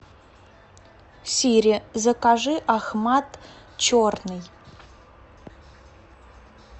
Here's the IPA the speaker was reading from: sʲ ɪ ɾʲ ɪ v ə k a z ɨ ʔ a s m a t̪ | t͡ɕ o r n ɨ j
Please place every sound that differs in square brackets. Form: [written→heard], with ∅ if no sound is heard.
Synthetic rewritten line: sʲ [ɪ→i] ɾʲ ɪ [v→z] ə k a [z→ʐ] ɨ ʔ a [s→x] m a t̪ | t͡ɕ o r n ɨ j